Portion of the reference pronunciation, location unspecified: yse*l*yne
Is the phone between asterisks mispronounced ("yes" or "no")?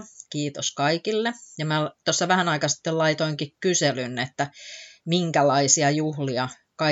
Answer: no